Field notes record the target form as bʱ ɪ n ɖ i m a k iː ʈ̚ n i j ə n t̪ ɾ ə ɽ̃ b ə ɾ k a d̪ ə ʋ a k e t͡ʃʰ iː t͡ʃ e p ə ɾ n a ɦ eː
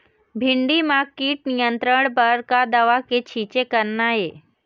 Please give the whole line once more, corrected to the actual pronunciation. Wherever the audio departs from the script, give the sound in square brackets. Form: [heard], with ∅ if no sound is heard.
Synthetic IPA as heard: bʱ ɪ [ɳ] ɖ i m a k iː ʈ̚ n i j ə n t̪ ɾ ə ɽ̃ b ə ɾ k a d̪ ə ʋ a k e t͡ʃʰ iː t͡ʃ e [k] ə ɾ n a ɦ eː